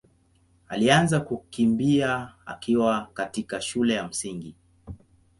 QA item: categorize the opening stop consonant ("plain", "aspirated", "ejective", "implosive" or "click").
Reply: plain